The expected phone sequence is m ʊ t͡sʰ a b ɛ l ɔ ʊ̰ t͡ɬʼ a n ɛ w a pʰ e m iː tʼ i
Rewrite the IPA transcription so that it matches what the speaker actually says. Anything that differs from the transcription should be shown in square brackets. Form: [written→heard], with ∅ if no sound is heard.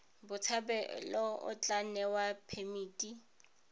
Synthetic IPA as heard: [m→b] ʊ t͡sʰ a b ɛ l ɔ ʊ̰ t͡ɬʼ a n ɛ w a pʰ e m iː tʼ i